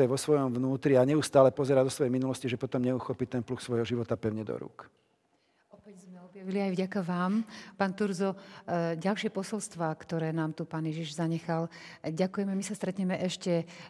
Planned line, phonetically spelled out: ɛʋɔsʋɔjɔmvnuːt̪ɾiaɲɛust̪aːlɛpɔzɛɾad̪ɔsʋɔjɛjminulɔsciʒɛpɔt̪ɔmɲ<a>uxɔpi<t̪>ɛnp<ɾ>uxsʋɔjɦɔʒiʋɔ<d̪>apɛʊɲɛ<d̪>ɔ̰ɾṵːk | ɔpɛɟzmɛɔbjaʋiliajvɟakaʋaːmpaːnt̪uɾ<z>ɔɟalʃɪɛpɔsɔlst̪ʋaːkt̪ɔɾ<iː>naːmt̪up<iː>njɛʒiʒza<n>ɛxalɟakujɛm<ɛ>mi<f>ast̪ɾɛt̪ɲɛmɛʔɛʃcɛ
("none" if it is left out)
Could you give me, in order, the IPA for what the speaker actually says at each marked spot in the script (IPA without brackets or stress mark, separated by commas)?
ɛ, t̪, l, t̪, d̪, z, ɛː, aː, ɲ, ɛ, s